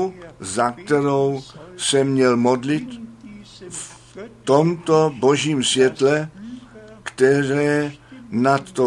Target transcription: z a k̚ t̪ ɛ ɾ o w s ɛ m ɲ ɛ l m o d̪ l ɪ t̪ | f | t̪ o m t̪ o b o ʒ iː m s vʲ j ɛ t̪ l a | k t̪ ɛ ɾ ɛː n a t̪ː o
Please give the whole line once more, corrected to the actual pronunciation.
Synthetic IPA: z a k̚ t̪ ɛ ɾ o w s ɛ m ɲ ɛ l m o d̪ l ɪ t̪ | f | t̪ o m t̪ o b o ʒ iː m s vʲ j ɛ t̪ l ɛ | k t̪ ɛ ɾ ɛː n a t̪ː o